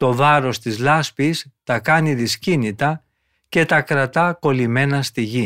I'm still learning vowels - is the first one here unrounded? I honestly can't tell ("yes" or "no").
no